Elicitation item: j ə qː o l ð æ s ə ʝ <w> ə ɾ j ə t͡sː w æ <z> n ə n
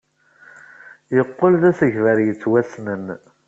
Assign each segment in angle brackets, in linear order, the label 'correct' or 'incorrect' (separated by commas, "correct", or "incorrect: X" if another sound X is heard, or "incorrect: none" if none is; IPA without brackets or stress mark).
incorrect: v, incorrect: s